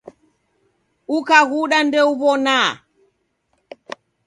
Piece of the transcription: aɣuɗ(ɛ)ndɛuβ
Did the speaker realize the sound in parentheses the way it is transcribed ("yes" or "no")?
no